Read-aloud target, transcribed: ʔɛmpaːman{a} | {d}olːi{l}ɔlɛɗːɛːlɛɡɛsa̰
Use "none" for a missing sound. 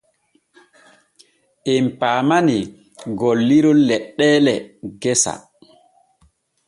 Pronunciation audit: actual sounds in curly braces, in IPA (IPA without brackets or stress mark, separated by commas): i, ɡ, ɾ